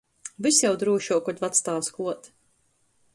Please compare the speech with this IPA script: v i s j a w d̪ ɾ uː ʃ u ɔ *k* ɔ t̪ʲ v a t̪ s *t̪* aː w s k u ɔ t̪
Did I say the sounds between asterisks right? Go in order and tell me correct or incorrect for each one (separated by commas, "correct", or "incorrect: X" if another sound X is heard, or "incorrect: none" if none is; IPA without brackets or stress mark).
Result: correct, correct